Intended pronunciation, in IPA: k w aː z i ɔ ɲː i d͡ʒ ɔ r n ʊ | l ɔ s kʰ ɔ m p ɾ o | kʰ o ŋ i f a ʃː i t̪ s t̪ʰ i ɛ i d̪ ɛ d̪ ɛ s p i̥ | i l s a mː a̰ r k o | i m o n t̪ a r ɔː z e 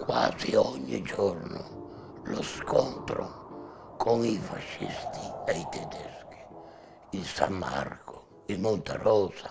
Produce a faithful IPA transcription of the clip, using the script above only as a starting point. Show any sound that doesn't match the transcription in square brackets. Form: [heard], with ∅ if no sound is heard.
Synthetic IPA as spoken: k w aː z i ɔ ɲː i d͡ʒ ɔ r n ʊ | l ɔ s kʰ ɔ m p ɾ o | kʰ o ŋ i f a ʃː i [∅] s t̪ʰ i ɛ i [t̪] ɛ d̪ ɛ s [k] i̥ | i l s a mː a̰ r k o | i m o n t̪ a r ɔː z [a]